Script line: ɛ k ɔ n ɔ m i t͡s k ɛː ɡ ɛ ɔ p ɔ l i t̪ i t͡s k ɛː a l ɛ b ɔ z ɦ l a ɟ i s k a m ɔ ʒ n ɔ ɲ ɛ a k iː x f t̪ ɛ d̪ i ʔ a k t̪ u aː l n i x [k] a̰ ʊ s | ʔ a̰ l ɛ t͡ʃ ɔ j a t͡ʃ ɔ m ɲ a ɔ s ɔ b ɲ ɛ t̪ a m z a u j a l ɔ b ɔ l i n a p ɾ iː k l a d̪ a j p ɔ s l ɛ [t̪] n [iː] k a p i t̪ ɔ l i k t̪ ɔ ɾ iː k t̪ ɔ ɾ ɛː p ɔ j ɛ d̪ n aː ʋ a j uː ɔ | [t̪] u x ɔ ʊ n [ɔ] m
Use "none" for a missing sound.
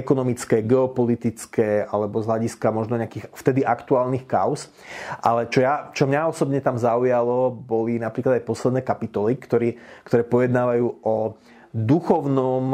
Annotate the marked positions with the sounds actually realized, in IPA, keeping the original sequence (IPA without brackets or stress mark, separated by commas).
k, d̪, ɛː, d̪, ɔ